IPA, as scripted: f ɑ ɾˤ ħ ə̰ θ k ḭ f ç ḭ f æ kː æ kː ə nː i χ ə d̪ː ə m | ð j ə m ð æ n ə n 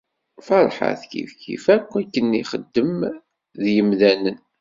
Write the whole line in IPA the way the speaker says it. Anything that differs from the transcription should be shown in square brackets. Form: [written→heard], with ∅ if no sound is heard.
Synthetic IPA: f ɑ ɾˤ ħ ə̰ θ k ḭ f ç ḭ f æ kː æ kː ə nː i χ ə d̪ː ə m | ð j ə m ð æ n ə n